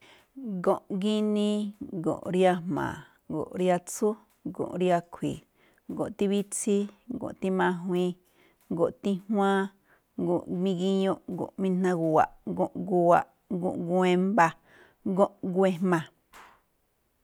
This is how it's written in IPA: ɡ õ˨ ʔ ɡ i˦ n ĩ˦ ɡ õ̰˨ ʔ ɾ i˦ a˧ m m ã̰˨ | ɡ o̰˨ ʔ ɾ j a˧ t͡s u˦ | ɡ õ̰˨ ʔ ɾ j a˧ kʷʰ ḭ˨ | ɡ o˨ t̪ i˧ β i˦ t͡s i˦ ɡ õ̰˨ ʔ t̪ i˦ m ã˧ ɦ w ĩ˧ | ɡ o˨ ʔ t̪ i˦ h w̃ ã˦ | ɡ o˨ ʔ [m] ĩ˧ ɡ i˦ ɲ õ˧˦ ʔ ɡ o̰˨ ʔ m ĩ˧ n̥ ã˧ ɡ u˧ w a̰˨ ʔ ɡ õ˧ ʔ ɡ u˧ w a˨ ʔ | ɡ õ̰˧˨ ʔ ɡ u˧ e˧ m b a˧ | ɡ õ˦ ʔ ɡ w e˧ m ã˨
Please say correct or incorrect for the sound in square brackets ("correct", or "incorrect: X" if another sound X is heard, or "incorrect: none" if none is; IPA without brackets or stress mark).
correct